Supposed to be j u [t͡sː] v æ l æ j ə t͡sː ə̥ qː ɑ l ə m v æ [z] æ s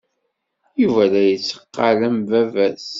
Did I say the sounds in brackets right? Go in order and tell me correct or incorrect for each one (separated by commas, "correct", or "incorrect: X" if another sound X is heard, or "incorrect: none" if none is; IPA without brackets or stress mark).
incorrect: none, incorrect: v